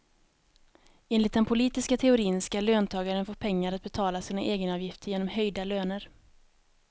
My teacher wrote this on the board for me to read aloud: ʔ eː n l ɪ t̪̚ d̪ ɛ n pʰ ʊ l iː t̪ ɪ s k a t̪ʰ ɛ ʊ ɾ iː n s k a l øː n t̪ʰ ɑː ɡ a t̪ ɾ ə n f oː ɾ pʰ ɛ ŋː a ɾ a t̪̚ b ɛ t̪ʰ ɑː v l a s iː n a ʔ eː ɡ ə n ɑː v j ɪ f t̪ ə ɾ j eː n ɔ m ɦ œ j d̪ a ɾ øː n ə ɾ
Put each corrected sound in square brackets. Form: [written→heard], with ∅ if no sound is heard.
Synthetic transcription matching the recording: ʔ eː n l ɪ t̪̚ d̪ ɛ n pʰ ʊ l iː t̪ ɪ s k a t̪ʰ ɛ ʊ ɾ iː n s k a l øː n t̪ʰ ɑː ɡ a [t̪→∅] ɾ ə n f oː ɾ pʰ ɛ ŋː a ɾ a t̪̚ b ɛ t̪ʰ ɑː [v→∅] l a s iː n a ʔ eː ɡ ə n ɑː v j ɪ f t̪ ə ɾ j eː n ɔ m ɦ œ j d̪ a [ɾ→l] øː n ə ɾ

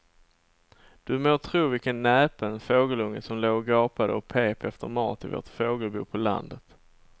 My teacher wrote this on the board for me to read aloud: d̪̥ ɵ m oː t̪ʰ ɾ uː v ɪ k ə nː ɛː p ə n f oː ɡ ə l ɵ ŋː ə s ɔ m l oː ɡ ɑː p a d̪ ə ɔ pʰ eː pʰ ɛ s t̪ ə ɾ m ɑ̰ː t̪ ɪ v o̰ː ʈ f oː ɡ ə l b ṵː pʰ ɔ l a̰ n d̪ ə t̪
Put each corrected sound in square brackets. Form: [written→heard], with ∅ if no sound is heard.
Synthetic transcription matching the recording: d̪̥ ɵ m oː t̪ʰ ɾ uː v ɪ k ə nː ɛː p ə n f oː ɡ ə l ɵ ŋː ə s ɔ m l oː ɡ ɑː p a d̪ ə ɔ pʰ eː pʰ ɛ [s→f] t̪ ə ɾ m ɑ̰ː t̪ ɪ v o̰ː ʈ f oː ɡ ə l b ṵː pʰ ɔ l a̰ n d̪ ə t̪

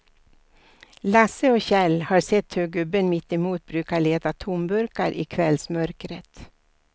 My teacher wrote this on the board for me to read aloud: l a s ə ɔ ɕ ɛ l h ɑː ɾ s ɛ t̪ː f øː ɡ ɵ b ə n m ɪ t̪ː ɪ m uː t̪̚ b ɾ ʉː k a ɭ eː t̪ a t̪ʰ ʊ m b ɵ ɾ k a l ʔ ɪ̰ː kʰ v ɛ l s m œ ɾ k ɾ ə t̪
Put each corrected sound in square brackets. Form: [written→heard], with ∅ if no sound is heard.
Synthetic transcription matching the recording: l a s ə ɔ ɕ ɛ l h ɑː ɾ s ɛ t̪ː [f→h] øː ɡ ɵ b ə n m ɪ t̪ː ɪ m uː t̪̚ b ɾ ʉː k a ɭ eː t̪ a t̪ʰ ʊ m b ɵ ɾ k a [l→ɾ] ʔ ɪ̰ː kʰ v ɛ l s m œ ɾ k ɾ ə t̪

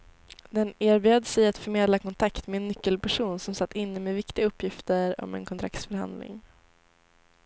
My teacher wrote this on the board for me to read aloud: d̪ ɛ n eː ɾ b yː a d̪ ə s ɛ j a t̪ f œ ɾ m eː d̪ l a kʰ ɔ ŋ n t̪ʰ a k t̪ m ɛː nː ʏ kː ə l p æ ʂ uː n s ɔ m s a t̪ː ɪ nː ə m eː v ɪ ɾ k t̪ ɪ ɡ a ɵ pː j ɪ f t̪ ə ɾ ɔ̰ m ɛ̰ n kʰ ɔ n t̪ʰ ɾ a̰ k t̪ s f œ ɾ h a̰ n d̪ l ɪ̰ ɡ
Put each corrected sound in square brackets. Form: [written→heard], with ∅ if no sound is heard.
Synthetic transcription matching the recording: d̪ ɛ n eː ɾ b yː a d̪ ə s ɛ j a t̪ f œ ɾ m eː d̪ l a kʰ ɔ [ŋ→∅] n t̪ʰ a k t̪ m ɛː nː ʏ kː ə l p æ ʂ uː n s ɔ m s a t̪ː ɪ nː ə m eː v ɪ [ɾ→∅] k t̪ ɪ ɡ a ɵ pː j ɪ f t̪ ə ɾ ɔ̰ m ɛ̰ n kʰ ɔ n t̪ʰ ɾ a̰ k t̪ s f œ ɾ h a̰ n d̪ l ɪ̰ [ɡ→ŋ]

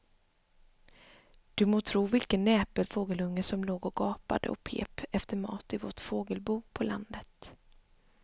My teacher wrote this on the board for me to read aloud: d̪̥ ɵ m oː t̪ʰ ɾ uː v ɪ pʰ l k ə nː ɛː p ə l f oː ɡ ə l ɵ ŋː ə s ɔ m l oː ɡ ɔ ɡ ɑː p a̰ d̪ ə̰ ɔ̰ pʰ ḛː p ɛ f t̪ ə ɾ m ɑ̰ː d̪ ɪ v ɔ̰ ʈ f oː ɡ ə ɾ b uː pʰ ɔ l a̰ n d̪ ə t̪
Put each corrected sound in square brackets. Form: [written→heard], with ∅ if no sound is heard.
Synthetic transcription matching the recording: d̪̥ ɵ m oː t̪ʰ ɾ uː v ɪ [pʰ→∅] l k ə nː ɛː p ə l f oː ɡ ə l ɵ ŋː ə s ɔ m l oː ɡ ɔ ɡ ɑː p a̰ d̪ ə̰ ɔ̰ pʰ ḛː p ɛ f t̪ ə ɾ m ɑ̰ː [d̪→t̪] ɪ v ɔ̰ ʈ f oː ɡ ə [ɾ→l] b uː pʰ ɔ l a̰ n d̪ ə t̪

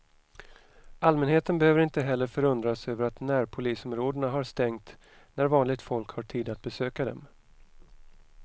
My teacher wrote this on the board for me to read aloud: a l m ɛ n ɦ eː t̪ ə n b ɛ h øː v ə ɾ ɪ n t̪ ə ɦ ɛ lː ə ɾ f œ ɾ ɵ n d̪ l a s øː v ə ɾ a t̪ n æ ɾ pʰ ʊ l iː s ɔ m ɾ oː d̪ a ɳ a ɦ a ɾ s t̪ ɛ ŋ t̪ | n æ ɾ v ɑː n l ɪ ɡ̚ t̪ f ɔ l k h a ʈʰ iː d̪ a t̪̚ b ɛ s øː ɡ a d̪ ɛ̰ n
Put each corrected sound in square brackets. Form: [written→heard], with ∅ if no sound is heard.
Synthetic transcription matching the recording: a l m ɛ n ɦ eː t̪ ə n b ɛ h øː v ə ɾ ɪ n t̪ ə ɦ ɛ lː ə ɾ f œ ɾ ɵ n d̪ [l→ɾ] a s øː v ə ɾ a t̪ n æ ɾ pʰ ʊ l iː s ɔ m ɾ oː d̪ [a→ə] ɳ a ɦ a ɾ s t̪ ɛ ŋ t̪ | n æ ɾ v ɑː n l ɪ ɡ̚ t̪ f ɔ l k h a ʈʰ iː d̪ a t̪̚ b ɛ s øː [ɡ→k] a d̪ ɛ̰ [n→m]

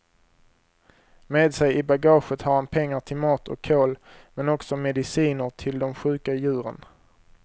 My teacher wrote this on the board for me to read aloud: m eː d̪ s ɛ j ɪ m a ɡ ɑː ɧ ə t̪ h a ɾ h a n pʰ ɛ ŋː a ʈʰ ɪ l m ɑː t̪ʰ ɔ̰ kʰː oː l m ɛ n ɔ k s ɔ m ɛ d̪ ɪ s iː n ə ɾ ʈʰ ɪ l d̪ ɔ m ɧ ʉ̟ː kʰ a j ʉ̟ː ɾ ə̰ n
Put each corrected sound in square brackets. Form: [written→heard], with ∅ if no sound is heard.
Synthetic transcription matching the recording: m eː d̪ s ɛ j ɪ [m→b] a ɡ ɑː ɧ ə t̪ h a ɾ h a n pʰ ɛ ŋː a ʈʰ ɪ l m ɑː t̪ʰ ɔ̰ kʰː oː l m ɛ n ɔ k s ɔ m ɛ d̪ ɪ s iː n ə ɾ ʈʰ ɪ l d̪ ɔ m ɧ ʉ̟ː [kʰ→k] a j ʉ̟ː ɾ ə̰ n

